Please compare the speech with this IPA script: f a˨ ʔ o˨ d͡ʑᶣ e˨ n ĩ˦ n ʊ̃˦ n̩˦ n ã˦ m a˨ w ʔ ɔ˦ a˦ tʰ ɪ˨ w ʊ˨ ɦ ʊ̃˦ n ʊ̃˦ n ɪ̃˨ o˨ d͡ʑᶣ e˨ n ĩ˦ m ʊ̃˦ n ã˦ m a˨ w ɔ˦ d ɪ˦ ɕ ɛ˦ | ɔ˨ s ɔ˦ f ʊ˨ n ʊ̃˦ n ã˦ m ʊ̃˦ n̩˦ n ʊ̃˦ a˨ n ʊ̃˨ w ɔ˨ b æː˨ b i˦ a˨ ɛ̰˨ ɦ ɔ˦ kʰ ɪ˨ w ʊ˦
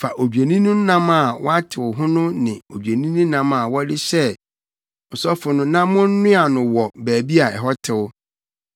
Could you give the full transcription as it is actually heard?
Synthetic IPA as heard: f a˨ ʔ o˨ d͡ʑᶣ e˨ n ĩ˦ n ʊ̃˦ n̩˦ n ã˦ m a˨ w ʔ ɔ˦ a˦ tʰ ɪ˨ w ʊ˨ ɦ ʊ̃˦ n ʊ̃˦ n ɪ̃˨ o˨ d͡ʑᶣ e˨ n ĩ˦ n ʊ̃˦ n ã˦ m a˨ w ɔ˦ d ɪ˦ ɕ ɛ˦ | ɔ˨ s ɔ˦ f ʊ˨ n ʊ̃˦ n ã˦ m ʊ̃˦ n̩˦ n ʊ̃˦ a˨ n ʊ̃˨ w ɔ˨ b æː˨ b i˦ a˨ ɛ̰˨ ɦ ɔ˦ tʰ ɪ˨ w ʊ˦